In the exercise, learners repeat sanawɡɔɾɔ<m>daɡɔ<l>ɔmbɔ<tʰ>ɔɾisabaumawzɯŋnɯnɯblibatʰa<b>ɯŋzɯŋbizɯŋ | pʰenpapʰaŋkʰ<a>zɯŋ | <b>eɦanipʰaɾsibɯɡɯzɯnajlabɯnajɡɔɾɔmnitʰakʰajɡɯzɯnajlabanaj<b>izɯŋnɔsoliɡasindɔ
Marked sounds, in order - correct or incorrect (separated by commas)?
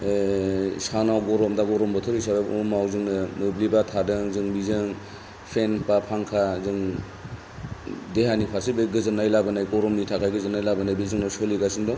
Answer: correct, incorrect, correct, incorrect, correct, incorrect, correct